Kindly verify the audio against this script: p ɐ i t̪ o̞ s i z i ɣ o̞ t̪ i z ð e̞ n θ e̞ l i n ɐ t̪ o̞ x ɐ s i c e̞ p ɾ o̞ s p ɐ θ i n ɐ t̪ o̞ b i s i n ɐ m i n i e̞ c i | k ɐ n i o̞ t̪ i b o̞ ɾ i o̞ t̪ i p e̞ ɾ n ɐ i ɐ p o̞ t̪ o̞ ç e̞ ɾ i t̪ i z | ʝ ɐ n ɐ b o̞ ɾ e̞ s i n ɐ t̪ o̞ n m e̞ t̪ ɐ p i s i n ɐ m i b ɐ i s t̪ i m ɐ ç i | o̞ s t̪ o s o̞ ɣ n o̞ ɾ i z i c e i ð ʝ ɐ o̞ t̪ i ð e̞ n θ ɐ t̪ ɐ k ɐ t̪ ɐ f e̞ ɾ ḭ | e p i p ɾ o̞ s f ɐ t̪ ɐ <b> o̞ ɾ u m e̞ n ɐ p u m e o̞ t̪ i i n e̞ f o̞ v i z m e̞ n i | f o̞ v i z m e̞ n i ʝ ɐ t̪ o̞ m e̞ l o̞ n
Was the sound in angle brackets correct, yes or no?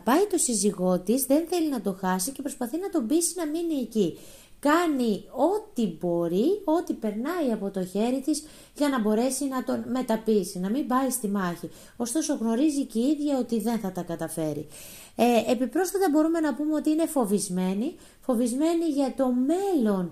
yes